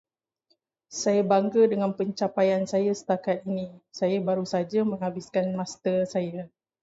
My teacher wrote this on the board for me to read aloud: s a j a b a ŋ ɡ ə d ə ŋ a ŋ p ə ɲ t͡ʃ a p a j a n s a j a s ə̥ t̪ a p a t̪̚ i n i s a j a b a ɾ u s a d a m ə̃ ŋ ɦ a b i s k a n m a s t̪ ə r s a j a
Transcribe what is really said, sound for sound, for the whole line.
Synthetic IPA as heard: s a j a b a ŋ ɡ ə d ə ŋ a n p ə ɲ t͡ʃ a p a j a n s a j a s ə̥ t̪ a k a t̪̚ i n i s a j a b a ɾ u s a d͡ʒ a m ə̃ ŋ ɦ a b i s k a n m a s t̪ ə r s a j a